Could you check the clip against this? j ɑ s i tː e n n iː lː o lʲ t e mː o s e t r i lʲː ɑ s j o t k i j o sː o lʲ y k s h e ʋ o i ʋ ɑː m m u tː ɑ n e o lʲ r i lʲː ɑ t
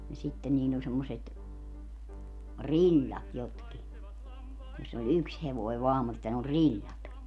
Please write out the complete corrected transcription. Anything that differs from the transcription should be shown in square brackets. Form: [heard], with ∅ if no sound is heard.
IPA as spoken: j ɑ s i tː e n n iː lː o lʲ [s] e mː o s e t r i lʲː ɑ [t] j o t k i j o sː o lʲ y k s h e ʋ o i ʋ ɑː m m u tː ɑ n e o lʲ r i lʲː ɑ t